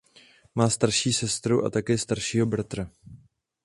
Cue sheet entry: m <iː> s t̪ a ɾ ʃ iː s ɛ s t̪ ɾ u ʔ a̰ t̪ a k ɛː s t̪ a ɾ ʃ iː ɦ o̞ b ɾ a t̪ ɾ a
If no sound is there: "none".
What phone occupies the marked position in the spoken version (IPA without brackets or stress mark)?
aː